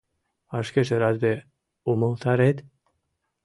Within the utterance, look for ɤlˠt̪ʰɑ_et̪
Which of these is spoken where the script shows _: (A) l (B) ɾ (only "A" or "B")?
B